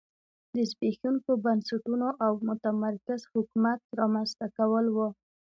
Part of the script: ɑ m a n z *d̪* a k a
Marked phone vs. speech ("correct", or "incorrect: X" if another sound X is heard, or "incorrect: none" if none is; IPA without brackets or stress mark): incorrect: t̪